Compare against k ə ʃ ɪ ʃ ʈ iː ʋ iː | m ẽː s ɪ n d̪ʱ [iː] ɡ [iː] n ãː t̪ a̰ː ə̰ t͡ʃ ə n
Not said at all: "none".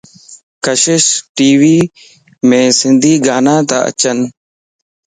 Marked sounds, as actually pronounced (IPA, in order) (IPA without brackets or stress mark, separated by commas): iː, aː